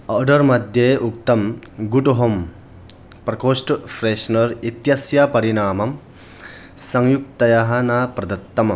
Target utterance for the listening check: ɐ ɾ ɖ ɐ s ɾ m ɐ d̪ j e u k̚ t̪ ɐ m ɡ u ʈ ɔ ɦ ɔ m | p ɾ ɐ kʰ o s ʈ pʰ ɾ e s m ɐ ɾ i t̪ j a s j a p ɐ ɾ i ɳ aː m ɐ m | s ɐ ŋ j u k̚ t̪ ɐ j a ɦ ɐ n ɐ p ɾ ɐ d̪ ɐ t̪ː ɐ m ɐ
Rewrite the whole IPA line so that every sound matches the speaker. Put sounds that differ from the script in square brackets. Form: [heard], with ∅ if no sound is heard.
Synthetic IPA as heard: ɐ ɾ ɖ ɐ [∅] ɾ m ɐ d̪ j e u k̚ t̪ ɐ m ɡ u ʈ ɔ ɦ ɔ m | p ɾ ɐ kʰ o s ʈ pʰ ɾ e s [n] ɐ ɾ i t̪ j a s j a p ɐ ɾ i [n] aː m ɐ m | s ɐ ŋ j u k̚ t̪ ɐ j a ɦ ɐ n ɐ p ɾ ɐ d̪ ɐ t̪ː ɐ m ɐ